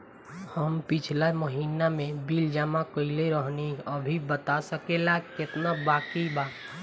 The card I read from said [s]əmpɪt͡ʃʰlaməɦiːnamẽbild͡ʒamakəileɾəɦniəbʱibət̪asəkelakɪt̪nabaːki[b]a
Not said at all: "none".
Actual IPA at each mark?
h, b

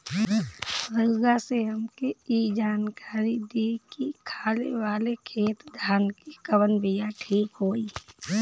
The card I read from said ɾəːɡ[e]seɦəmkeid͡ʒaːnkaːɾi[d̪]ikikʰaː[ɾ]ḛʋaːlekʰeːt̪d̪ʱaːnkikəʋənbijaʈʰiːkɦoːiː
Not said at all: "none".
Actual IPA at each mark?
a, d̪, l

